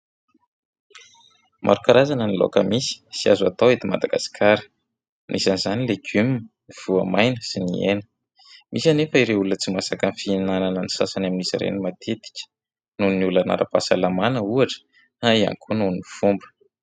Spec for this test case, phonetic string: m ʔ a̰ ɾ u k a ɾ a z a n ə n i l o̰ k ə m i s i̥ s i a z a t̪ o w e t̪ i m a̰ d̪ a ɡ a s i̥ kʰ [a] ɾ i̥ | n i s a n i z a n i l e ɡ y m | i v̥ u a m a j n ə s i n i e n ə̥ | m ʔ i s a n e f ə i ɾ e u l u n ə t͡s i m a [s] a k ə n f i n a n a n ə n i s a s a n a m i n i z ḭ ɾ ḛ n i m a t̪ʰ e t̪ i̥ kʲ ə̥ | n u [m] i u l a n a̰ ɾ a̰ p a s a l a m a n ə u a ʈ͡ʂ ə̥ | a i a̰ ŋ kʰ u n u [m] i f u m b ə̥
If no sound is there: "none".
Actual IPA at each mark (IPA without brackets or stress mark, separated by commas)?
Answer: a, s, n, n